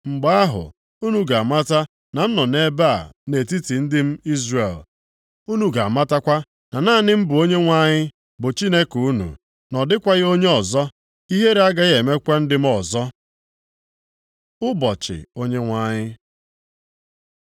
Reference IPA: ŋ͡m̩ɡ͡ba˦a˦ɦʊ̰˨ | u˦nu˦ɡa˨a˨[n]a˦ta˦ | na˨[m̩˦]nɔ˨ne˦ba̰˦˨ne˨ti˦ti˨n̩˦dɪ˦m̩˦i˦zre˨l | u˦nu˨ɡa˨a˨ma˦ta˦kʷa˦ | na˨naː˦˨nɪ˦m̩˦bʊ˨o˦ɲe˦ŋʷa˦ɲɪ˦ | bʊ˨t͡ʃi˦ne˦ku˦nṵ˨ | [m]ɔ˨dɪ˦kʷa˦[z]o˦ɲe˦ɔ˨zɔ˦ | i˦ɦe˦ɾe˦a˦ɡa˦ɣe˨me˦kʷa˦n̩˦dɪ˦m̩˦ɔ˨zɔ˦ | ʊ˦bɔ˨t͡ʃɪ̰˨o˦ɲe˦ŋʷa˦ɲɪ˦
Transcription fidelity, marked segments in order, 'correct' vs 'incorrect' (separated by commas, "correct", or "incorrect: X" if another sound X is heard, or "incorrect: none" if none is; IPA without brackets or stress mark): incorrect: m, incorrect: n̩˦, incorrect: n, incorrect: ɣ